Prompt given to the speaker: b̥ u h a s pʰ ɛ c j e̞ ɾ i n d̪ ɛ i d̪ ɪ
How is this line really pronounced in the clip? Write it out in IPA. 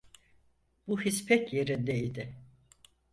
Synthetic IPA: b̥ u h i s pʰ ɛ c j e̞ ɾ i n d̪ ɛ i d̪ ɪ